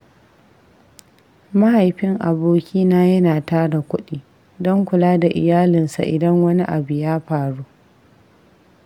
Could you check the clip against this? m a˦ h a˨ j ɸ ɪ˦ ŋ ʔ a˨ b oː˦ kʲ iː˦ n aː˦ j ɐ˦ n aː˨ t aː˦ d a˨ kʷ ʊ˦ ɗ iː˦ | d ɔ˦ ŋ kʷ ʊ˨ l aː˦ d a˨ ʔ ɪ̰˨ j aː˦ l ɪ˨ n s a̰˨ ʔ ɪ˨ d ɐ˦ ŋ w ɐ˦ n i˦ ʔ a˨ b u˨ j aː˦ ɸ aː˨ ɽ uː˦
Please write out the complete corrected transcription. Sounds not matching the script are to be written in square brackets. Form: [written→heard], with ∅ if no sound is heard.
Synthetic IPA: m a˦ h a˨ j ɸ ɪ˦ ŋ ʔ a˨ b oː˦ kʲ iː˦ n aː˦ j ɐ˦ n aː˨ t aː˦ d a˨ kʷ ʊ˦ ɗ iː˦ | d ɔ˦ ŋ kʷ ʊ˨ l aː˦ d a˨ ʔ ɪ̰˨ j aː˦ l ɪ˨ n s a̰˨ ʔ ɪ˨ d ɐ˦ ŋ w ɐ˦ n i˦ ʔ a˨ b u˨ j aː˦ ɸ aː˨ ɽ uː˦